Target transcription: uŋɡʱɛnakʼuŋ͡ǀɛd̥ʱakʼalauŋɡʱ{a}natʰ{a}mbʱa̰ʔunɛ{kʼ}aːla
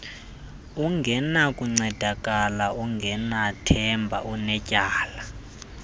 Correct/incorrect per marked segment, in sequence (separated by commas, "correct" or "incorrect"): incorrect, incorrect, incorrect